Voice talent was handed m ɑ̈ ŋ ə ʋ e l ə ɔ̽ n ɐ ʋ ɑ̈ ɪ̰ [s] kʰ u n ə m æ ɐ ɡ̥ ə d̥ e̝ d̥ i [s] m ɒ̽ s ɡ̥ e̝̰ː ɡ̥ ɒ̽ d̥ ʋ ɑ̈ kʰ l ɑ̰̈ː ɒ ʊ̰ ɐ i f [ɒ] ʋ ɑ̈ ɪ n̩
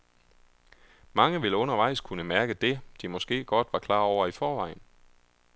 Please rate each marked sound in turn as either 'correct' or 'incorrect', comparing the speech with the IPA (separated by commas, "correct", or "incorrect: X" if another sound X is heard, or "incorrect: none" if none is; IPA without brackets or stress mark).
correct, incorrect: none, incorrect: ɒː